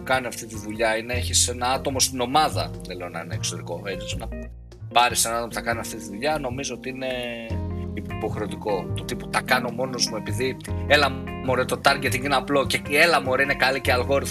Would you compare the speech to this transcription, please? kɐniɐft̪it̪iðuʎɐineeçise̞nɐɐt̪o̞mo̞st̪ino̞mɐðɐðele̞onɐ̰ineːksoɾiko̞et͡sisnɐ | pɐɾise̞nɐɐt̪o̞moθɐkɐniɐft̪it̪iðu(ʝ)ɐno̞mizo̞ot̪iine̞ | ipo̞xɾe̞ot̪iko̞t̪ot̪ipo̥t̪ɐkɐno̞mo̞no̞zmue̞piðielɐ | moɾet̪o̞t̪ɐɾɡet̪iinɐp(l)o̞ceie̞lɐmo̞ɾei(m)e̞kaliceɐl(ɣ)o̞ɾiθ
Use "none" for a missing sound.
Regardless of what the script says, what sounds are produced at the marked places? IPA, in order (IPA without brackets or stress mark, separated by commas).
ʎ, l, n, ɣ